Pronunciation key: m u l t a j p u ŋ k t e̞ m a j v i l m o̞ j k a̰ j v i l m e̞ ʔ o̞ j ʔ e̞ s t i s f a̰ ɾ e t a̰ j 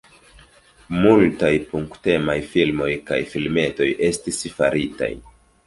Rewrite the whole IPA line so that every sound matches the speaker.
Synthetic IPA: m u l t a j p u ŋ k t e̞ m a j f i l m o̞ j k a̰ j f i l m e̞ t o̞ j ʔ e̞ s t i s f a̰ ɾ i t a̰ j